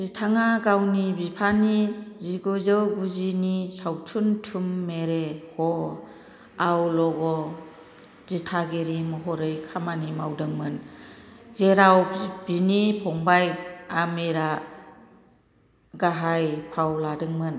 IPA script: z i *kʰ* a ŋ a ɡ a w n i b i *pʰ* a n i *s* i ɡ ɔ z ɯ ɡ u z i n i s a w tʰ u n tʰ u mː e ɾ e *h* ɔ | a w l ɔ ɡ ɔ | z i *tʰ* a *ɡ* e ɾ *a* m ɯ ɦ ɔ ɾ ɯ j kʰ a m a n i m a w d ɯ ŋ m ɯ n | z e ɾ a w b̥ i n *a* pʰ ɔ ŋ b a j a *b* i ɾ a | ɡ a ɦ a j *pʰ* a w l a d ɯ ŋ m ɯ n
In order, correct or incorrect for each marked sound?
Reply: incorrect, correct, incorrect, correct, correct, correct, incorrect, incorrect, incorrect, correct

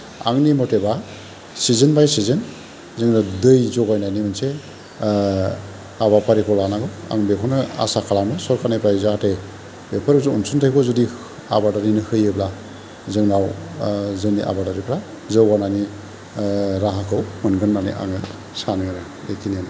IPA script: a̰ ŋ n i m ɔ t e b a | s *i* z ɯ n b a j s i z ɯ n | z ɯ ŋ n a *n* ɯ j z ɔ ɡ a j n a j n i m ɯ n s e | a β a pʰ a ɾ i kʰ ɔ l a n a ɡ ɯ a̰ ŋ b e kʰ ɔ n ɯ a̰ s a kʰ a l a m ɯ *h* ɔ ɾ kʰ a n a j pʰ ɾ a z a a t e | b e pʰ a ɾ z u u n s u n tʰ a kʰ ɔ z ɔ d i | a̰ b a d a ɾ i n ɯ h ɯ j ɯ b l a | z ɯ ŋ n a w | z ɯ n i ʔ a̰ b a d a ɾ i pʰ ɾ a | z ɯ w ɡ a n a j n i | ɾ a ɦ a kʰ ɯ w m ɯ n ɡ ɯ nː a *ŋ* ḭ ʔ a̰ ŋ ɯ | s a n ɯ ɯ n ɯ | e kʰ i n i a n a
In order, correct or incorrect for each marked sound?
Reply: correct, incorrect, incorrect, incorrect

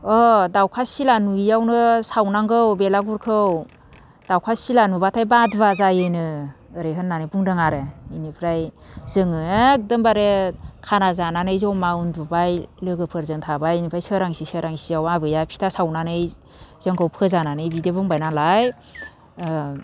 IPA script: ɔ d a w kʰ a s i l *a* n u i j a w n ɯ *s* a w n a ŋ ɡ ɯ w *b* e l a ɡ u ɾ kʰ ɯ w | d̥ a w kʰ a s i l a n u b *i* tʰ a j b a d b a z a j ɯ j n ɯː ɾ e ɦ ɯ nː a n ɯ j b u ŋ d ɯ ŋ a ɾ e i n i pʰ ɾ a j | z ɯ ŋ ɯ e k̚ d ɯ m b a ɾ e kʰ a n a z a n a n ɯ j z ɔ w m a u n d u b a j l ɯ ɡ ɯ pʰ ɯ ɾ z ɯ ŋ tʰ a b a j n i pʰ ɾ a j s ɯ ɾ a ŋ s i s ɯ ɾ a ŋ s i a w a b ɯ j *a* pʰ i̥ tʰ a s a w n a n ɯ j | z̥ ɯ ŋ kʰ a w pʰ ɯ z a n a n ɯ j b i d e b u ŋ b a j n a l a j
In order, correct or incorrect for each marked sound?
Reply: correct, correct, correct, incorrect, correct

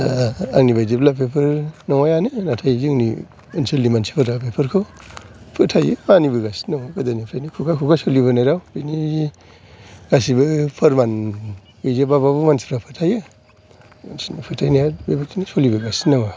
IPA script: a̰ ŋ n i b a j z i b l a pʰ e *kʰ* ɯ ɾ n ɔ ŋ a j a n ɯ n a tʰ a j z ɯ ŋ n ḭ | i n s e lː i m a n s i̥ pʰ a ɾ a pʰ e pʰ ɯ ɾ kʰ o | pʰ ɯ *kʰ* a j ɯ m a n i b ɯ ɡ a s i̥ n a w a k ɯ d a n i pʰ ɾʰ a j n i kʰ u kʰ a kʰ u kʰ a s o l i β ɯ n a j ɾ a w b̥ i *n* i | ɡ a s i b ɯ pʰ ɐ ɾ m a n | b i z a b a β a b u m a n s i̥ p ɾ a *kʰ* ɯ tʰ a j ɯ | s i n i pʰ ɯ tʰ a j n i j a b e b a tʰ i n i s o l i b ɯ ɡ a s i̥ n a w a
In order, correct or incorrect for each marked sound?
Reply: incorrect, incorrect, correct, incorrect

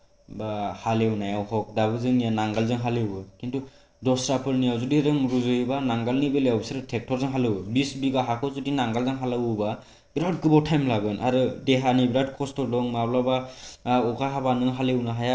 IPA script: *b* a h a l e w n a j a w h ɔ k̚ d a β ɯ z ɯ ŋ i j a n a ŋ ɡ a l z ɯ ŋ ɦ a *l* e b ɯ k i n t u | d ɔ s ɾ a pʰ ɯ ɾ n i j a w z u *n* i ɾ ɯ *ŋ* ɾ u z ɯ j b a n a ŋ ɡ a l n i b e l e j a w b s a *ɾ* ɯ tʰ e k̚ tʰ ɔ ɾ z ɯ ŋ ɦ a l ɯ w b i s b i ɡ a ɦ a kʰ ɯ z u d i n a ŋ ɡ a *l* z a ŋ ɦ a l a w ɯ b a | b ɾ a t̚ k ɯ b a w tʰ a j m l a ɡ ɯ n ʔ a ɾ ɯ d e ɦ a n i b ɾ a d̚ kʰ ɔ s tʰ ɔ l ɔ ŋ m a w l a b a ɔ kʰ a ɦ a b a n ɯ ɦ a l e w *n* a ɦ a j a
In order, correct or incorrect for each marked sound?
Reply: correct, correct, incorrect, correct, correct, correct, correct

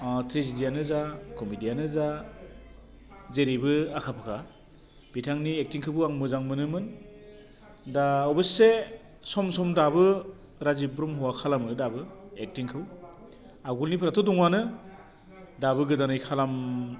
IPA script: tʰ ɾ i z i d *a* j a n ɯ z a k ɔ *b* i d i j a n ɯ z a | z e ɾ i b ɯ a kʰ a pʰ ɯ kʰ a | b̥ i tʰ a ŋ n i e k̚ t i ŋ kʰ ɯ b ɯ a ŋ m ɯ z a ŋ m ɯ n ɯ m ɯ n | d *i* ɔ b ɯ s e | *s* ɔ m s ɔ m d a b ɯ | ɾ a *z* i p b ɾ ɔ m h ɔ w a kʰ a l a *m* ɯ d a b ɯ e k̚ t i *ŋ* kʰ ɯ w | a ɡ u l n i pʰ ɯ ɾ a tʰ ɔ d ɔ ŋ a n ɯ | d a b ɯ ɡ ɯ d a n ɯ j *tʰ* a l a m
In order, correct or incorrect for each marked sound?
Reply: incorrect, incorrect, incorrect, correct, correct, correct, correct, incorrect

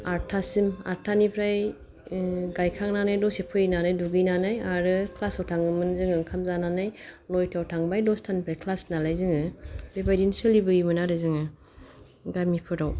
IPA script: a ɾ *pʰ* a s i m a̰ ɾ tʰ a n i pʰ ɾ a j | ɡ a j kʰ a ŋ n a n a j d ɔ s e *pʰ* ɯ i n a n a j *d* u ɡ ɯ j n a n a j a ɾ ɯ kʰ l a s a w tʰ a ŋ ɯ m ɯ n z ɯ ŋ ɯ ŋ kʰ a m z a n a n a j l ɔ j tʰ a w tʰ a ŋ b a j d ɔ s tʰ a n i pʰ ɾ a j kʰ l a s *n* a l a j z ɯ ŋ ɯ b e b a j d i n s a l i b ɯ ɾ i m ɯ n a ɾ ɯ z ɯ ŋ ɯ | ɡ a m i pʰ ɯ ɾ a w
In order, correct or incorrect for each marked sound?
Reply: incorrect, correct, correct, correct

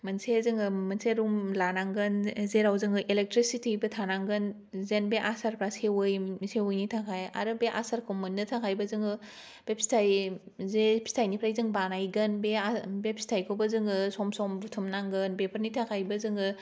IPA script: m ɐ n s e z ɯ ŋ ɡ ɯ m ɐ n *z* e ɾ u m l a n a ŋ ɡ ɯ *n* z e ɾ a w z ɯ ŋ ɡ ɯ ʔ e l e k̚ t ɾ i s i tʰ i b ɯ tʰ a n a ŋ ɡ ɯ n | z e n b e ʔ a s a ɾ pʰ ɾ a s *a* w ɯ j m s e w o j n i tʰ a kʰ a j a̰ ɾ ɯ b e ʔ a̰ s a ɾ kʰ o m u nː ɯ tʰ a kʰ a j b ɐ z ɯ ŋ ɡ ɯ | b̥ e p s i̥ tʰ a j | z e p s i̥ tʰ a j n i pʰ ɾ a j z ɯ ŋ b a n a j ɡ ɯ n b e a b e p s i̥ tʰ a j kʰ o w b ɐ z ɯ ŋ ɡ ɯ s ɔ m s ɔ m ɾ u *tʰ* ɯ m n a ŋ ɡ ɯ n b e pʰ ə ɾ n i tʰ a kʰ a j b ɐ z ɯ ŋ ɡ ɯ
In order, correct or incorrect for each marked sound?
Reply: incorrect, correct, incorrect, correct

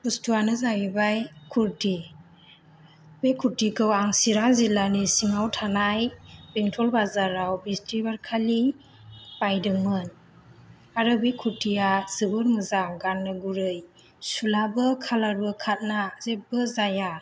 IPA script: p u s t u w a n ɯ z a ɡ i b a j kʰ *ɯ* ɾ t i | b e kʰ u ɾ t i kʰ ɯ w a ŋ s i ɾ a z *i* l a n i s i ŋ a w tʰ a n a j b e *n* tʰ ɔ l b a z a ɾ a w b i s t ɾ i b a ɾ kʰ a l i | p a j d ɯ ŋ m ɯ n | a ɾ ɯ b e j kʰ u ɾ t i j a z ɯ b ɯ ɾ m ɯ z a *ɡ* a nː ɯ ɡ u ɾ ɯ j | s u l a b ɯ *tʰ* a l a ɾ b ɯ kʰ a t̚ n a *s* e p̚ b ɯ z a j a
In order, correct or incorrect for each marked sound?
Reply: incorrect, correct, incorrect, correct, incorrect, incorrect

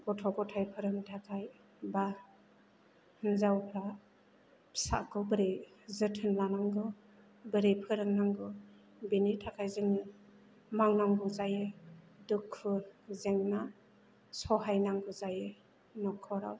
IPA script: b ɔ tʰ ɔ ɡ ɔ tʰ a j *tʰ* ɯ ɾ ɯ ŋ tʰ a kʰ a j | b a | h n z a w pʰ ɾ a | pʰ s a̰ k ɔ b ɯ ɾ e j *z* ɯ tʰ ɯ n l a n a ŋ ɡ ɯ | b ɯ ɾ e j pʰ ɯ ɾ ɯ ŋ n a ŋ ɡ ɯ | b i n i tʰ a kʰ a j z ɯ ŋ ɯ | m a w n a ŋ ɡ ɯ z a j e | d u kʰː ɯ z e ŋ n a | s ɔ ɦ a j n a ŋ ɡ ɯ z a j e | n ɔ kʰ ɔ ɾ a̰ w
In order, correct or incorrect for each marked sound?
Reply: incorrect, correct

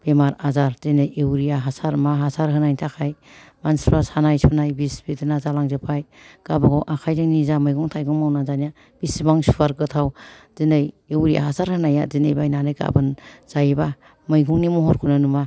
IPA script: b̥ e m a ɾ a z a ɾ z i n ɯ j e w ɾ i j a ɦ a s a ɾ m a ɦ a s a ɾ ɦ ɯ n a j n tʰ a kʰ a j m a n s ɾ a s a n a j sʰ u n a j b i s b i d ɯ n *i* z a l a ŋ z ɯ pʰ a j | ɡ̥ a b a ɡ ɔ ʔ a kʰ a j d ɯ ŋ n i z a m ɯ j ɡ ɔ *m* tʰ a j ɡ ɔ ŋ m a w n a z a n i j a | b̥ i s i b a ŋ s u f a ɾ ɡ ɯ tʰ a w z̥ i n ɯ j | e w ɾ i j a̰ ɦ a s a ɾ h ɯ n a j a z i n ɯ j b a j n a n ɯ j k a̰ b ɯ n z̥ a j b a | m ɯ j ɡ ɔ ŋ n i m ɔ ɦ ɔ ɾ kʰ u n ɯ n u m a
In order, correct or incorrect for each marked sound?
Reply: incorrect, incorrect

